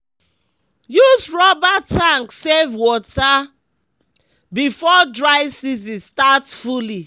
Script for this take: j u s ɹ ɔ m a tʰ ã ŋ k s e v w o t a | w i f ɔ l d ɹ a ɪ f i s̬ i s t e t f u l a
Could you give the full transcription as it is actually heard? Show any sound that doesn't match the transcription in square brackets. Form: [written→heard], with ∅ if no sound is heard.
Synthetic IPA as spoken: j u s ɹ ɔ [m→b] a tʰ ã ŋ k s e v w [o→ɔ] t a | [w→b] i f ɔ [l→∅] d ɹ a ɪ [f→s] i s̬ i s t [e→a] t f u l [a→i]